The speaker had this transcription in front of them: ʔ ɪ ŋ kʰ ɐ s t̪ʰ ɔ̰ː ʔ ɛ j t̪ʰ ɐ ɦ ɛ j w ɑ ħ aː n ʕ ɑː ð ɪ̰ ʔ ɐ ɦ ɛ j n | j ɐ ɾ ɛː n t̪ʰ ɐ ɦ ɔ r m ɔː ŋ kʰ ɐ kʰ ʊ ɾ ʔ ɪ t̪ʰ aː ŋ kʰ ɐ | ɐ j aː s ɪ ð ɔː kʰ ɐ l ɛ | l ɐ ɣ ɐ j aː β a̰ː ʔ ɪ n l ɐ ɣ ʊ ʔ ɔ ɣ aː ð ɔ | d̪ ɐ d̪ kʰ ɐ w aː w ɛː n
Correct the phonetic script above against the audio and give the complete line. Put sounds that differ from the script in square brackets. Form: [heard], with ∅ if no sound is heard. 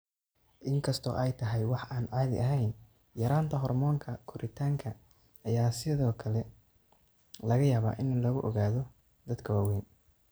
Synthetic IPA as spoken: ʔ ɪ ŋ kʰ ɐ s t̪ʰ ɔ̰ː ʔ ɛ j t̪ʰ ɐ ɦ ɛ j w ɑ ħ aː n ʕ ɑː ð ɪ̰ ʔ ɐ ɦ ɛ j n | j ɐ ɾ [aː] n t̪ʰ ɐ ɦ ɔ r m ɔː ŋ kʰ ɐ kʰ ʊ ɾ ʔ ɪ t̪ʰ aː ŋ kʰ ɐ | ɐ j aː s ɪ ð ɔː kʰ ɐ l ɛ | l ɐ ɣ ɐ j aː β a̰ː ʔ ɪ n l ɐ ɣ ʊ ʔ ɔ ɣ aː ð ɔ | d̪ ɐ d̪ kʰ ɐ w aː w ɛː n